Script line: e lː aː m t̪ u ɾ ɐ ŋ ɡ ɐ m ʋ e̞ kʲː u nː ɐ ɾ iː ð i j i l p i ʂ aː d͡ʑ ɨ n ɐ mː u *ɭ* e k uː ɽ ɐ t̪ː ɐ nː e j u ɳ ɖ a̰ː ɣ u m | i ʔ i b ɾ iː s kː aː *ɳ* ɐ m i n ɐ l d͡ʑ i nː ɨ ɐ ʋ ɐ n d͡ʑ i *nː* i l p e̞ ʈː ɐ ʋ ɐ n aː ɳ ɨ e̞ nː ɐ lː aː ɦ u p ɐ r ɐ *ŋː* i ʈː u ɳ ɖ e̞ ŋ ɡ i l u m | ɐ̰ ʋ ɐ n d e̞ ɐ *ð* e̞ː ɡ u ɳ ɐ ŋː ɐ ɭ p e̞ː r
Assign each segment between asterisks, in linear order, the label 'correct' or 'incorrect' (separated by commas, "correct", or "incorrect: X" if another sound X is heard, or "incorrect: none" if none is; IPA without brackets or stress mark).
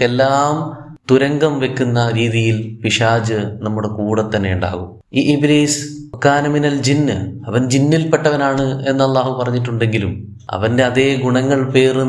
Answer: incorrect: ɽ, incorrect: n, correct, incorrect: ɲː, correct